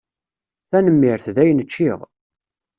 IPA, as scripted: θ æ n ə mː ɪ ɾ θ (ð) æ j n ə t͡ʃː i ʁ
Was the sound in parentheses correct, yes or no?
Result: yes